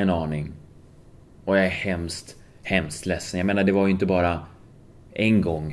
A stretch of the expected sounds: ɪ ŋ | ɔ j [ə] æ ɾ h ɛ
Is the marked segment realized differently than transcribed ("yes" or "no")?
yes